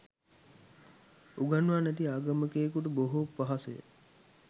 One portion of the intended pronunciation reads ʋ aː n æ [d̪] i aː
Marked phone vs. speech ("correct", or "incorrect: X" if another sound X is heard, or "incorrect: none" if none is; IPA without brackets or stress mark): incorrect: t̪